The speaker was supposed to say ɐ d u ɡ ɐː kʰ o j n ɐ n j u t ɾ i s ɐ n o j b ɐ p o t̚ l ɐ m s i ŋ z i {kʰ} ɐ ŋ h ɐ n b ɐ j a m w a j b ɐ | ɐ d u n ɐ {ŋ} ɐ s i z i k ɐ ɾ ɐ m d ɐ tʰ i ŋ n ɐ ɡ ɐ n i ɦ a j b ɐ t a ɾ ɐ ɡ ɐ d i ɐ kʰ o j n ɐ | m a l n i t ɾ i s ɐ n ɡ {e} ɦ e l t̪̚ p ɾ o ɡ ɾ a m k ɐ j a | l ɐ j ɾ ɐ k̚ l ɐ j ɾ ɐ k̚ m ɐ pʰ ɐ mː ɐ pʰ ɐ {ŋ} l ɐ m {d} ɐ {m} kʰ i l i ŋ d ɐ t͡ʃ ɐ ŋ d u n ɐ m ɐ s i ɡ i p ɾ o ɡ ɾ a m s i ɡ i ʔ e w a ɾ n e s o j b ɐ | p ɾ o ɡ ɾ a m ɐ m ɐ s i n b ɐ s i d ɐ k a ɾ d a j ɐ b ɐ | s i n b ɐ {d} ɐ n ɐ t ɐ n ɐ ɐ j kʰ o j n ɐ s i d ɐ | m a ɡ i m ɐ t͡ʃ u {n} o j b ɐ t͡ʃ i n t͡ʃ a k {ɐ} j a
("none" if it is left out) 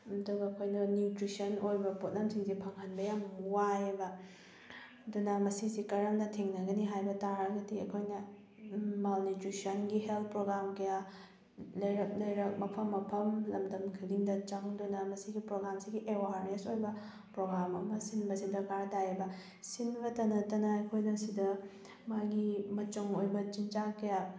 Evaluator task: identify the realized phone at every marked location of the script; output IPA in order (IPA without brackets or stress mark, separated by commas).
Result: pʰ, m, i, m, d, m, t, ŋ, ɐ